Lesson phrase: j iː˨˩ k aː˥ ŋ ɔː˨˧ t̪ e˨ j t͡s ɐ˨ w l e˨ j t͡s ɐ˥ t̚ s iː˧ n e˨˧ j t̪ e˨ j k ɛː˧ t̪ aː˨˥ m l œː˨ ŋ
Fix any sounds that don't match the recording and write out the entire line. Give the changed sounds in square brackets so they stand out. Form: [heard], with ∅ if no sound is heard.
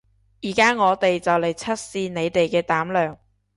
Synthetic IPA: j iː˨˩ k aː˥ ŋ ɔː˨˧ t̪ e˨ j t͡s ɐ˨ w l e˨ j [t͡sʰ] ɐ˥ t̚ s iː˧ n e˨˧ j t̪ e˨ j k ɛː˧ t̪ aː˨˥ m l œː˨ ŋ